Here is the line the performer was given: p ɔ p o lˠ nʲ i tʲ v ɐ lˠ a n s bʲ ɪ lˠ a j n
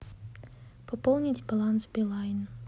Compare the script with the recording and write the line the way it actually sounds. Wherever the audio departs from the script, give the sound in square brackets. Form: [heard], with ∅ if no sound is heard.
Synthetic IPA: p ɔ p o lˠ nʲ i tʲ [b] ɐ lˠ a n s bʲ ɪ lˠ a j n